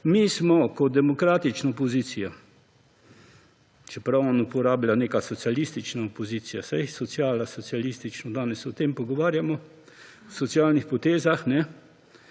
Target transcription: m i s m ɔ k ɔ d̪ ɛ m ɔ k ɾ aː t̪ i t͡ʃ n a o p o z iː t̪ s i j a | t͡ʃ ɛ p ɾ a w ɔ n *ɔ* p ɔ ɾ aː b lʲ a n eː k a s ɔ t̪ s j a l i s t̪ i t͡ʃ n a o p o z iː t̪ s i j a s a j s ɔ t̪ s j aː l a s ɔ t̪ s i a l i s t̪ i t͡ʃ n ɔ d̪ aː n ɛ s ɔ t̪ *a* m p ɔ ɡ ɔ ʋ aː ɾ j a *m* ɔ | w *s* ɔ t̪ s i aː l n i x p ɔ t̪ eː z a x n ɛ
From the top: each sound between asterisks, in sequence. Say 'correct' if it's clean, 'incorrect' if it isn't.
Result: incorrect: u, incorrect: e, correct, correct

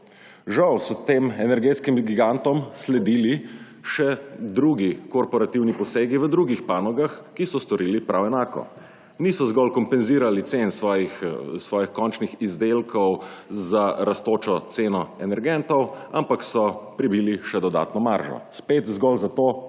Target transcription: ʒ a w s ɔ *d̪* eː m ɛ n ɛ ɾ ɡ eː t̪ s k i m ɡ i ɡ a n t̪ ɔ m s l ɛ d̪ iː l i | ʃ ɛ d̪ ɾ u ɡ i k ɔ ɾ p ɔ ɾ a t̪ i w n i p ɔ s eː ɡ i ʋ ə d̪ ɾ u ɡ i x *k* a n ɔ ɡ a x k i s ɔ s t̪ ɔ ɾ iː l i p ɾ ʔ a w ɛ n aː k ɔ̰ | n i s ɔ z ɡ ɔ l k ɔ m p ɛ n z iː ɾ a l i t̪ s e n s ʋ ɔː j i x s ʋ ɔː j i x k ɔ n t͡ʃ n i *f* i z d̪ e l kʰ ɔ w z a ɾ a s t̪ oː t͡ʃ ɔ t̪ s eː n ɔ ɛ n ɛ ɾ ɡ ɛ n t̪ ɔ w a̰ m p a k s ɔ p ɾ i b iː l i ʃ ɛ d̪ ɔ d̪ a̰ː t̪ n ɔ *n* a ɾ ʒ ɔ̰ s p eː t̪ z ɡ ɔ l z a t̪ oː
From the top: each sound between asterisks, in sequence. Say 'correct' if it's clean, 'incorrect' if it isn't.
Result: incorrect: t̪, incorrect: p, incorrect: x, incorrect: m

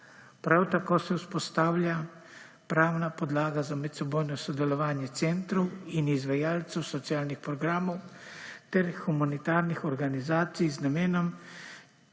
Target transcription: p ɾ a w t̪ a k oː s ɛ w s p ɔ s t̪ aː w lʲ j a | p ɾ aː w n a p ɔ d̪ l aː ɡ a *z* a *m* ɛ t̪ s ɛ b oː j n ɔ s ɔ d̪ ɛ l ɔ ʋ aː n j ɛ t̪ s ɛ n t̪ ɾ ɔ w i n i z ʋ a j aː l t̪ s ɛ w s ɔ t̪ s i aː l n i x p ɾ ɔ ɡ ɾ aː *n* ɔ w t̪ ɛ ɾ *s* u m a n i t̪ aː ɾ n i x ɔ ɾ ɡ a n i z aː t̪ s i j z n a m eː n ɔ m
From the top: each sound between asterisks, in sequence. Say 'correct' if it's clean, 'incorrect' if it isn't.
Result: correct, correct, incorrect: m, incorrect: x

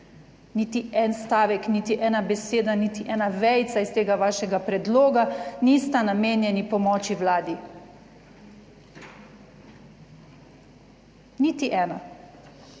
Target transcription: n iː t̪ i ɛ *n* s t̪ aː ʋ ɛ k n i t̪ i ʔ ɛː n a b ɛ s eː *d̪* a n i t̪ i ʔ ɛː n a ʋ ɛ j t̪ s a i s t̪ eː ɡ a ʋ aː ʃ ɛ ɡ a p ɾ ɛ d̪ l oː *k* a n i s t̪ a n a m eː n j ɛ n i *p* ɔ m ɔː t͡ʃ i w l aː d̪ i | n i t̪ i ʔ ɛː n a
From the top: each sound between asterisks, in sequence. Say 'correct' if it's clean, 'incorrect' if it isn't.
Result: correct, correct, incorrect: ɡ, correct

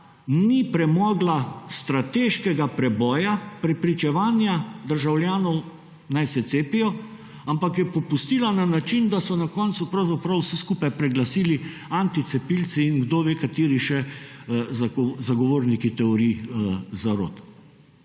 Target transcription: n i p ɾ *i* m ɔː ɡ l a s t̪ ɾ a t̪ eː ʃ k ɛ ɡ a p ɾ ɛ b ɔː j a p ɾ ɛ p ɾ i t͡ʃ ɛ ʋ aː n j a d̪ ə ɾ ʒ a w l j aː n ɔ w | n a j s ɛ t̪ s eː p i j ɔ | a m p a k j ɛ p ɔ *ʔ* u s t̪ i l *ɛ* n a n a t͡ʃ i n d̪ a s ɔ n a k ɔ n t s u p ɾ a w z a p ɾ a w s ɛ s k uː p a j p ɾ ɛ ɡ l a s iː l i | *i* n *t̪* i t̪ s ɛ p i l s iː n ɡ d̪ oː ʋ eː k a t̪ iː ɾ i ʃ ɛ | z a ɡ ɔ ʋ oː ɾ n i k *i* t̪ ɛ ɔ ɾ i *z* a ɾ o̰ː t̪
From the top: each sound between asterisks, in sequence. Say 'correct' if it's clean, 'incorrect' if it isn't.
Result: incorrect: ɛ, incorrect: p, incorrect: a, incorrect: a, correct, correct, correct

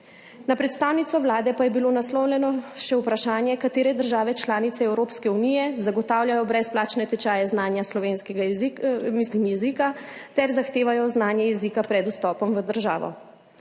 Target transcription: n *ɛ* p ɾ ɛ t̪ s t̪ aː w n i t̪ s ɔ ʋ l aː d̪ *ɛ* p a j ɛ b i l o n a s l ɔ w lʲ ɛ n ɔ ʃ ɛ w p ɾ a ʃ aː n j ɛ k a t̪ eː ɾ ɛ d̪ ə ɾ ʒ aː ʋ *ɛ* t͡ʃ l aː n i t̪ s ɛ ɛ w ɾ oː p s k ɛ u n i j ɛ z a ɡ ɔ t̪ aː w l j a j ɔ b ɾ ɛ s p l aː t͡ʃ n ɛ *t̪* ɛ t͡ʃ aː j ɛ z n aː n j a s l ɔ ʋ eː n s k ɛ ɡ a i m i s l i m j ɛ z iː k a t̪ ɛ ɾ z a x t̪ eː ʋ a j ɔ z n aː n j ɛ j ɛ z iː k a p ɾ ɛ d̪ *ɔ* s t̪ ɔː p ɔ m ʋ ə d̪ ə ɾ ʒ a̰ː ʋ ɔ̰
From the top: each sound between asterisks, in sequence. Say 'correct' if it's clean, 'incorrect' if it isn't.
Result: incorrect: a, correct, correct, correct, incorrect: u

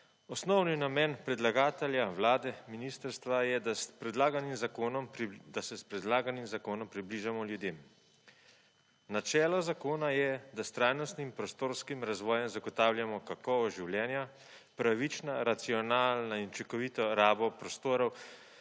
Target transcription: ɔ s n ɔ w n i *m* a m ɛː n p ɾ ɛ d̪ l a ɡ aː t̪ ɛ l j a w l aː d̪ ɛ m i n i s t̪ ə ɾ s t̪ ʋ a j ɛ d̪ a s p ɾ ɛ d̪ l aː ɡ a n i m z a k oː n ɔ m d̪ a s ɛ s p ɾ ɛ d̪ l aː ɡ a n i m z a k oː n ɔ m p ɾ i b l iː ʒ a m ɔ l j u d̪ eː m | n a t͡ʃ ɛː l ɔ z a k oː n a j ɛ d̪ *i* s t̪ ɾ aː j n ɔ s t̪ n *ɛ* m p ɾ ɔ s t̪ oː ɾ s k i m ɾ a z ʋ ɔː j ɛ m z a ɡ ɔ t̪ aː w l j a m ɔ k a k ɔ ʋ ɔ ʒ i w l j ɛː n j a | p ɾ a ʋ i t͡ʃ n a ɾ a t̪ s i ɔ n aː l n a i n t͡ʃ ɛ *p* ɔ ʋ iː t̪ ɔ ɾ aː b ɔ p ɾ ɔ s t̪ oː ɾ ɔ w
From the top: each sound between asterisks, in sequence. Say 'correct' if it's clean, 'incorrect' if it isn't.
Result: incorrect: n, incorrect: a, incorrect: i, incorrect: k

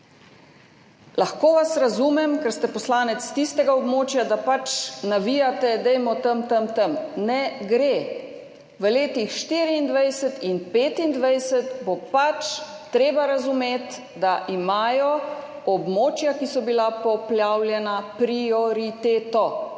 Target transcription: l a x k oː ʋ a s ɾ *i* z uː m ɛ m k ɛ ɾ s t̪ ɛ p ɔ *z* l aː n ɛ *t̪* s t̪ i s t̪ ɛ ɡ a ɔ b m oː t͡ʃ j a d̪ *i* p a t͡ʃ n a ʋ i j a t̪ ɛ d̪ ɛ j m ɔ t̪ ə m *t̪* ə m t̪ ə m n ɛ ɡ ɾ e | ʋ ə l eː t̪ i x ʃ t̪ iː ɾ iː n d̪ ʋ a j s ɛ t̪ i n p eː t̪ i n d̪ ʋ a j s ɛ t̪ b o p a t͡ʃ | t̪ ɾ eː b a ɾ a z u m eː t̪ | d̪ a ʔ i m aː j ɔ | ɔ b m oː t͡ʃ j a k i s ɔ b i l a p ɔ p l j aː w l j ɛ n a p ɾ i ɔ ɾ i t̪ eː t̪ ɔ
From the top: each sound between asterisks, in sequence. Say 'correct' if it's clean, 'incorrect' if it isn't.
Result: incorrect: a, incorrect: s, correct, incorrect: a, correct

